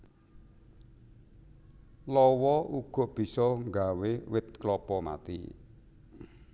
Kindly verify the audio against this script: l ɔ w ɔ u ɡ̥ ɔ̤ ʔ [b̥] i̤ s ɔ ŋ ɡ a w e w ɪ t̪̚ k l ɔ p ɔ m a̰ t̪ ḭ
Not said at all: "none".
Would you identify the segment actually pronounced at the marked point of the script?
b̥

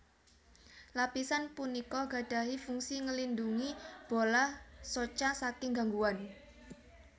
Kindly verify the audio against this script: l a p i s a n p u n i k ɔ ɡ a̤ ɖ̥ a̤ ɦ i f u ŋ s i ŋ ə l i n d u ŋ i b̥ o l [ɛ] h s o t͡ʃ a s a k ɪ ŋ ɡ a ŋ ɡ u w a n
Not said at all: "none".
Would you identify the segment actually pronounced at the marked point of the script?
a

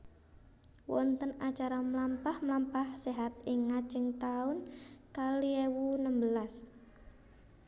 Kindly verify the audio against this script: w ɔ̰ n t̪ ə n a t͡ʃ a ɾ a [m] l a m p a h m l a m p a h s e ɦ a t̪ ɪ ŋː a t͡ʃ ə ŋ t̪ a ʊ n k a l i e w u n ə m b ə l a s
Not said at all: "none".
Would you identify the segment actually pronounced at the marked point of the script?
m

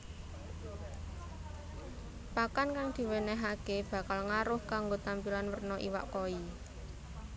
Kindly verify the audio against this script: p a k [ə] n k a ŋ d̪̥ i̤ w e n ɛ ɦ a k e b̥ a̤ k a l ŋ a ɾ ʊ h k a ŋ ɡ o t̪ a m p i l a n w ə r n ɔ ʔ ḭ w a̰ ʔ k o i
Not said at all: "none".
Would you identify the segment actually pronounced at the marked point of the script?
a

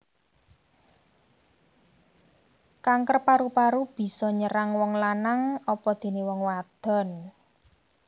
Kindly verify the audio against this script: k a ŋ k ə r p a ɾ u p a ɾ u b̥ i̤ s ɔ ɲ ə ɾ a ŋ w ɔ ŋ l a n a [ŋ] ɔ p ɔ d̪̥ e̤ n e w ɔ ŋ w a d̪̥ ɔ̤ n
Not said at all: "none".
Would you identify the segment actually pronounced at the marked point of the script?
ŋ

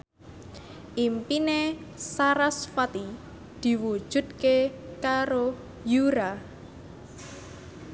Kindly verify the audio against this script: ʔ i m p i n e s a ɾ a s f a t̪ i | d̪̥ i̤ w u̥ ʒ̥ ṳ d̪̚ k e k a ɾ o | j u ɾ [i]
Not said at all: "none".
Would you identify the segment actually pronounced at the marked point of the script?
a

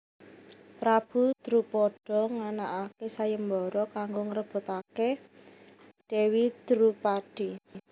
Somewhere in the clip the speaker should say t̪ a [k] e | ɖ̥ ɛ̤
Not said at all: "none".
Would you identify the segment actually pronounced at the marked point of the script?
k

